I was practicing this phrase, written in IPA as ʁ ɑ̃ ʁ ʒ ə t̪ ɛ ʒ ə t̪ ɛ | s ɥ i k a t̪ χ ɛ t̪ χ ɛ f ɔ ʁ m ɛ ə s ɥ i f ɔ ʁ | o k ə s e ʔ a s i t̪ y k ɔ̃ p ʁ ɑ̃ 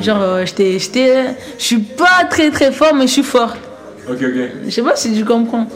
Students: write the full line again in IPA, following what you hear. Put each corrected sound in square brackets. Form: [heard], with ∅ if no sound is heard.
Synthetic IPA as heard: [ʒ] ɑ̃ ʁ ʒ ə t̪ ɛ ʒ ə t̪ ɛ | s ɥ i [p] a t̪ χ ɛ t̪ χ ɛ f ɔ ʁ m ɛ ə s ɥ i f ɔ ʁ | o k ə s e [p] a s i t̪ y k ɔ̃ p [χ] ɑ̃